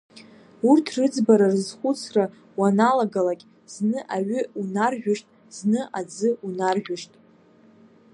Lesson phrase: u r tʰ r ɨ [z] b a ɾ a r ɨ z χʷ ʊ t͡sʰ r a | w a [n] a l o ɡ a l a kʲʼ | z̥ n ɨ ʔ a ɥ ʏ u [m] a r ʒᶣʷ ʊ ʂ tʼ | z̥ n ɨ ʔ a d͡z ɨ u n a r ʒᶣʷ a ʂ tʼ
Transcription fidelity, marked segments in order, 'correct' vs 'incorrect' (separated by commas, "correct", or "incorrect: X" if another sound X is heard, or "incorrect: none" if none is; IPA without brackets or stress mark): incorrect: d͡z, correct, incorrect: n